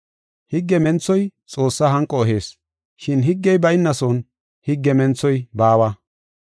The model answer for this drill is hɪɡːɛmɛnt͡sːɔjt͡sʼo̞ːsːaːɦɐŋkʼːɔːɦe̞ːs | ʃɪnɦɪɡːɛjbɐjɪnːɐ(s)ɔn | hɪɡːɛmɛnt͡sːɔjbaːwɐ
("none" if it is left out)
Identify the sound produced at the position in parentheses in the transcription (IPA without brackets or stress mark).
s